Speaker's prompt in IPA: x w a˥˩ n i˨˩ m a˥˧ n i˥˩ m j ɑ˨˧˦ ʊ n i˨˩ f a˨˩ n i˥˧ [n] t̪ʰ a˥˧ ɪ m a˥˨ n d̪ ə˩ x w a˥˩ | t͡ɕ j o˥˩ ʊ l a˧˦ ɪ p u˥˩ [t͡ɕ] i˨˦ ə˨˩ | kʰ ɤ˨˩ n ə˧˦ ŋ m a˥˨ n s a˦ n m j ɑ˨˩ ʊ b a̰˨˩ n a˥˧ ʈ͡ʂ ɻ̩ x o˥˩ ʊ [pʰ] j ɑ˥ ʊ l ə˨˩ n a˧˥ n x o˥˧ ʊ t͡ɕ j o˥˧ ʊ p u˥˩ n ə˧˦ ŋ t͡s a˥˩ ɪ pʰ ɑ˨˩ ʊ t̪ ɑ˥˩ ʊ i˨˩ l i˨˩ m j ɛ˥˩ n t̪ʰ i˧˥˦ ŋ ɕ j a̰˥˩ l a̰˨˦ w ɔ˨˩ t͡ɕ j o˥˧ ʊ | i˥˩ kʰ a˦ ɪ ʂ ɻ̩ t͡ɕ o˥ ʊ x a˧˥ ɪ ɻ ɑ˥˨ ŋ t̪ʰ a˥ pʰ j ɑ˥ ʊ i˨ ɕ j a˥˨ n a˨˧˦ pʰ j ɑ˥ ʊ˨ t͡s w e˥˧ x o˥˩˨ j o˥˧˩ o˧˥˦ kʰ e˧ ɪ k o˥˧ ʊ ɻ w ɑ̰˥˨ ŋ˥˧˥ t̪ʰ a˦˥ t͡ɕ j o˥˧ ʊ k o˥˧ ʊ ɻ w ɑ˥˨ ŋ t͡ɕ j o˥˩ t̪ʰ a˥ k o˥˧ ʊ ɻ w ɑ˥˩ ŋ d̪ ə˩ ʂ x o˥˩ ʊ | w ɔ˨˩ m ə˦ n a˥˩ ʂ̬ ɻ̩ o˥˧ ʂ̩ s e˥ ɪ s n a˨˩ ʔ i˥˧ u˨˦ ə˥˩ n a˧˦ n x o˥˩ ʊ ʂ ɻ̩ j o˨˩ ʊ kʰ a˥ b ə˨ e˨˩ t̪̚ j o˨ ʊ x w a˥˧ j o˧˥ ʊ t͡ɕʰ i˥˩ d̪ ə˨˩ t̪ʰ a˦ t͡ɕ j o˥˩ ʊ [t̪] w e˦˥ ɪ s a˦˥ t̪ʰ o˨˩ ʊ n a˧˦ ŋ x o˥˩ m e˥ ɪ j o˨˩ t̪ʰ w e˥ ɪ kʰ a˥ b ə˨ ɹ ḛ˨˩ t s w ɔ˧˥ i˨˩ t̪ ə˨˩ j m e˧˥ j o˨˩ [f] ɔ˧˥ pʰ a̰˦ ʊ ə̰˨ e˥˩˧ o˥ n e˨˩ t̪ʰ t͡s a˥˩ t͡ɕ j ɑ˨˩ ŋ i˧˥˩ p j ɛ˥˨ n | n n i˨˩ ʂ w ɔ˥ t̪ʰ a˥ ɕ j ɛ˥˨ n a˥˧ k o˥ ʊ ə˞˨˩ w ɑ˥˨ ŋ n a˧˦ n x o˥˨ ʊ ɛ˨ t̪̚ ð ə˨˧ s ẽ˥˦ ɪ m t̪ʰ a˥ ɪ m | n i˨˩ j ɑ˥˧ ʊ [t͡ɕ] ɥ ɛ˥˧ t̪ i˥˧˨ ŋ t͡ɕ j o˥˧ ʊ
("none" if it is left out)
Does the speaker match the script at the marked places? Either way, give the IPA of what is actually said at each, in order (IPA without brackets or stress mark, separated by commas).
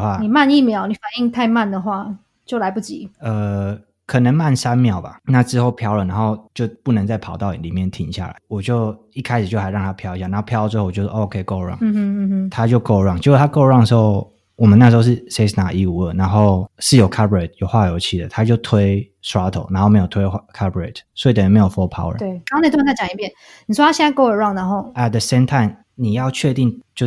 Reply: ŋ, t͡ɕ, pʰ, t̪ʰ, f, t͡ɕʰ